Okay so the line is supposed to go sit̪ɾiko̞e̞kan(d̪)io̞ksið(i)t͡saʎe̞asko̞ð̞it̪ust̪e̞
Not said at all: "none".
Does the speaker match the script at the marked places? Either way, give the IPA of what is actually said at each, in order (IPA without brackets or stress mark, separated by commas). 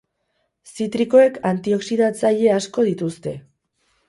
t̪, a